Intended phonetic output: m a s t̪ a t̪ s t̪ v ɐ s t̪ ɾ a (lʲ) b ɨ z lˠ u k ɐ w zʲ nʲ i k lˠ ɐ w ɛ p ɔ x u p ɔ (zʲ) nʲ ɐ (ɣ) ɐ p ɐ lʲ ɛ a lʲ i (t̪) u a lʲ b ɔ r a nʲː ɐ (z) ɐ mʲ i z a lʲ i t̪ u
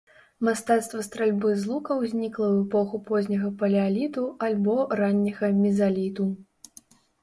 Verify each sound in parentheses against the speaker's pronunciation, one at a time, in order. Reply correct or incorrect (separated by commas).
correct, correct, correct, correct, incorrect